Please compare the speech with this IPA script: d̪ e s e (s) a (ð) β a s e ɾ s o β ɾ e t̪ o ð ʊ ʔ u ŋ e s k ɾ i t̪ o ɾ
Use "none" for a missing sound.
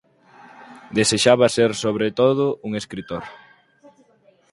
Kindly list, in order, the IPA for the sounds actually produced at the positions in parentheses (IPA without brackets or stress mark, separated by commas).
ʃ, none